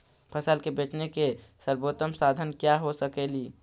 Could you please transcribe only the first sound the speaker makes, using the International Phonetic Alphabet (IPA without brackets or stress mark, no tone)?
pʰ